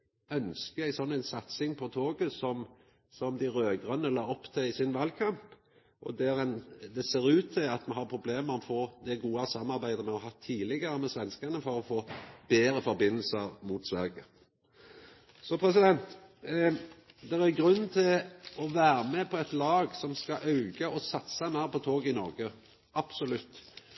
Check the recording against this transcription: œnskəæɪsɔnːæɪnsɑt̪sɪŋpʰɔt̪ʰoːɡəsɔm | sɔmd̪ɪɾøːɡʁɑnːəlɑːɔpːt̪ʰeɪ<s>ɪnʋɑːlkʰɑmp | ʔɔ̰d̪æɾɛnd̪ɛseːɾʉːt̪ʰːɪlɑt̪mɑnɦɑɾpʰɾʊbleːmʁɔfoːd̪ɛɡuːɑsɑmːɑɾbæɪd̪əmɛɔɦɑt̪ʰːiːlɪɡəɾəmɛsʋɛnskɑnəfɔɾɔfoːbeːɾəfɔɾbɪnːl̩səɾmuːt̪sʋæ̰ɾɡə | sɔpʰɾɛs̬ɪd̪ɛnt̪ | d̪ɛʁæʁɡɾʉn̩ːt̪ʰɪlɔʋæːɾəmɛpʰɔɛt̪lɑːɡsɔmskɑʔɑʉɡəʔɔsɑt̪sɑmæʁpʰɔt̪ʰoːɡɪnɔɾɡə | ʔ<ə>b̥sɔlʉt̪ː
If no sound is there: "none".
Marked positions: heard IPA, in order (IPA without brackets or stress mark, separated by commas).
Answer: s, ɑ